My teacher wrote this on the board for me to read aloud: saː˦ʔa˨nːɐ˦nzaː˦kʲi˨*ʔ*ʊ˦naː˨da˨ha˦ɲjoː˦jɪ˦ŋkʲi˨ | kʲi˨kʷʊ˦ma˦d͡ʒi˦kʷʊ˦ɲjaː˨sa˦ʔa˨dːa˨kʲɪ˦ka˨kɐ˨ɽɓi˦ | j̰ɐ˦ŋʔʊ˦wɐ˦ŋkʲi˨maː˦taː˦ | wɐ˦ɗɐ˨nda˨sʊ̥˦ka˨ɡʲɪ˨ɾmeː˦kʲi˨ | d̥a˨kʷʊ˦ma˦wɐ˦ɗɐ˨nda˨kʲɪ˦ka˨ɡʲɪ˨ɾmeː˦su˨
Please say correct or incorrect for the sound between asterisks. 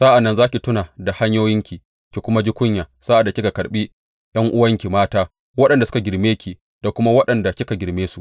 incorrect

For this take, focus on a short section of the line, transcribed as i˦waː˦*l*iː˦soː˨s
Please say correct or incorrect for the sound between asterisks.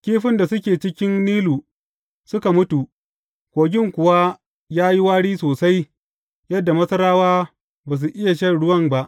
incorrect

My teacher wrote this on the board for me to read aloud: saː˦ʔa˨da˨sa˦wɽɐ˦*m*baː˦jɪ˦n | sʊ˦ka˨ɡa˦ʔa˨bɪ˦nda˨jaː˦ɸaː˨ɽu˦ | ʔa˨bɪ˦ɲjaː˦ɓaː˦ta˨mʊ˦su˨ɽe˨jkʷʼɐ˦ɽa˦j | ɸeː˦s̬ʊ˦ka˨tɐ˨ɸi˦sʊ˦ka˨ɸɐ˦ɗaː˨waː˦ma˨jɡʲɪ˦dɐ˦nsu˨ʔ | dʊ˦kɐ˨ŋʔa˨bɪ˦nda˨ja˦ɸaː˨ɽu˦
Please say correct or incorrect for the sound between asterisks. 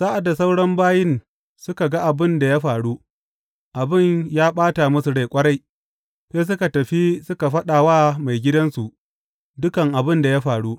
correct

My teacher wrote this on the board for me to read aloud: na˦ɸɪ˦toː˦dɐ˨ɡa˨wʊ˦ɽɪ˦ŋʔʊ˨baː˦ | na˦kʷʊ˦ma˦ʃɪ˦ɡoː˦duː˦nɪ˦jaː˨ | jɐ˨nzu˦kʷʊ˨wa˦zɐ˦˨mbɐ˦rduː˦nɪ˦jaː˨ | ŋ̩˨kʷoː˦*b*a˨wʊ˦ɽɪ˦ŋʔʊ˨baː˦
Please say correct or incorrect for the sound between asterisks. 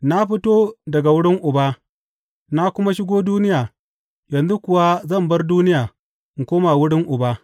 incorrect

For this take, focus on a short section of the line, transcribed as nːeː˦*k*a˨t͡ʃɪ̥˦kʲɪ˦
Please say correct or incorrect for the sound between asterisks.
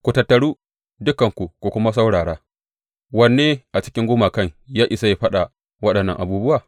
incorrect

